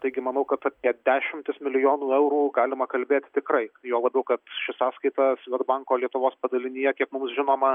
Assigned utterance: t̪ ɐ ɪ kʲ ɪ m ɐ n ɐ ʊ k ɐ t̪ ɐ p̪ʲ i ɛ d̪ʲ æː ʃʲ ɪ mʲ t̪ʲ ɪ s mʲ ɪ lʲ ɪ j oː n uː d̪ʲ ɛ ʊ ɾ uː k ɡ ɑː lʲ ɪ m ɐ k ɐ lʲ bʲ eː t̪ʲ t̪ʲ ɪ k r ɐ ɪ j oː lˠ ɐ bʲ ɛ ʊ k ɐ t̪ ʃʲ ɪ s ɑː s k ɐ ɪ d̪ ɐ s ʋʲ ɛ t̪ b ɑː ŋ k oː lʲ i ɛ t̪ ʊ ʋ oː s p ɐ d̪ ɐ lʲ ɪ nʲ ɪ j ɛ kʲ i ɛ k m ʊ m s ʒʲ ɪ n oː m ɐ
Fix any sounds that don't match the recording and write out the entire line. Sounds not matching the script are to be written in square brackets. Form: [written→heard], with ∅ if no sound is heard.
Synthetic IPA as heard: t̪ ɐ ɪ [kʲ→ɡʲ] ɪ m ɐ n ɐ ʊ k ɐ t̪ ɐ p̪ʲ i ɛ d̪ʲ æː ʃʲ ɪ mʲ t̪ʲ ɪ s mʲ ɪ lʲ ɪ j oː n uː [d̪ʲ→∅] ɛ ʊ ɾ uː [k→∅] ɡ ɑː lʲ ɪ m ɐ k ɐ lʲ bʲ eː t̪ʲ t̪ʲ ɪ k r ɐ ɪ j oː lˠ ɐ bʲ ɛ ʊ k ɐ t̪ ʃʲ ɪ s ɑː s k ɐ ɪ [d̪→t̪] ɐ s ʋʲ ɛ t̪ b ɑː ŋ k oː lʲ i ɛ t̪ ʊ ʋ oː s p ɐ d̪ ɐ lʲ ɪ nʲ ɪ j ɛ kʲ i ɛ k m ʊ m s ʒʲ ɪ n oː m ɐ